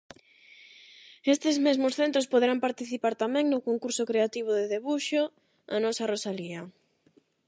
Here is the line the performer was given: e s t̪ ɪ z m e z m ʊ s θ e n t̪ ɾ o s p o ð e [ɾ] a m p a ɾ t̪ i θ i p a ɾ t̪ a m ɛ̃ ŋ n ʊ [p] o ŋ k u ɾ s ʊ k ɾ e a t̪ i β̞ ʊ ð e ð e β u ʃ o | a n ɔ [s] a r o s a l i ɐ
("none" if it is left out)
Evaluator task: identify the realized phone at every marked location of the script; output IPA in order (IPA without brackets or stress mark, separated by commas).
ɾ, k, s